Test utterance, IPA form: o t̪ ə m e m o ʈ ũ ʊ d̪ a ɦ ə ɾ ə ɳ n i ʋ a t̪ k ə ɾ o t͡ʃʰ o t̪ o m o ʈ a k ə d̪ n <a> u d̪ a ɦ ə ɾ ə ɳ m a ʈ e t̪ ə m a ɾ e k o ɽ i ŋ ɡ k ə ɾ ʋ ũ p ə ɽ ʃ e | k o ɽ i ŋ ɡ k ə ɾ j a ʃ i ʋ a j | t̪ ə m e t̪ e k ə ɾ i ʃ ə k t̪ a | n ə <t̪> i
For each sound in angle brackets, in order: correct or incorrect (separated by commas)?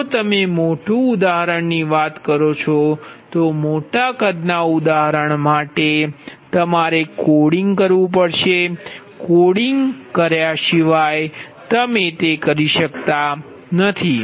correct, incorrect